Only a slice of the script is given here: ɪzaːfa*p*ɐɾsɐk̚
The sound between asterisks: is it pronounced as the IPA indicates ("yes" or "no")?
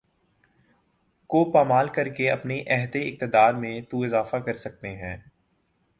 no